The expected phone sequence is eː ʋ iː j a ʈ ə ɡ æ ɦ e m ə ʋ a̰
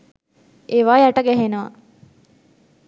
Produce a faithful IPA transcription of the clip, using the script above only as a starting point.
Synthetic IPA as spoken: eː ʋ aː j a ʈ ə ɡ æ ɦ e n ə ʋ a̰